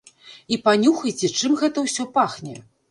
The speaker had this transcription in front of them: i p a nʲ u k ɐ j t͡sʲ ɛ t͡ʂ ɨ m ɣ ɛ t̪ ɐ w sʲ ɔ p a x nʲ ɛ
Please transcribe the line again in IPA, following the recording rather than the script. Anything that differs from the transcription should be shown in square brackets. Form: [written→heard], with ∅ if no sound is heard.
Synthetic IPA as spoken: i p a nʲ u [k→x] ɐ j t͡sʲ ɛ t͡ʂ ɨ m ɣ ɛ t̪ ɐ w sʲ ɔ p a x nʲ ɛ